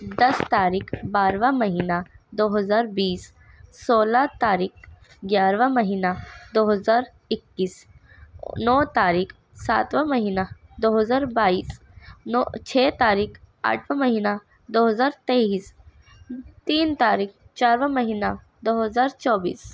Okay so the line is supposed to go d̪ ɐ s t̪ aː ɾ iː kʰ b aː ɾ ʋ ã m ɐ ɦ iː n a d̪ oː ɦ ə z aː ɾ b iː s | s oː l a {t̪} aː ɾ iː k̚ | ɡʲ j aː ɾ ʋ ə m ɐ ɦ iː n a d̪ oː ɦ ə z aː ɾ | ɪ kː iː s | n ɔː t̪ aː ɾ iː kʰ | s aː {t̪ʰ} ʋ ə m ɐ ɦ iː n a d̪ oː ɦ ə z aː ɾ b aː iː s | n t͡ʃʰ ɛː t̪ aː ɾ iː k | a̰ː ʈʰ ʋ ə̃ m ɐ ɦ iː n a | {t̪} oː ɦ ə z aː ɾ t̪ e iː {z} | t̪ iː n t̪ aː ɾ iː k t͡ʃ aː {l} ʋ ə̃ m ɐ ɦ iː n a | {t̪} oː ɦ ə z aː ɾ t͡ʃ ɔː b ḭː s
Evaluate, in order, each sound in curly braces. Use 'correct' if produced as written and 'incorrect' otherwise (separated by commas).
correct, incorrect, incorrect, incorrect, incorrect, incorrect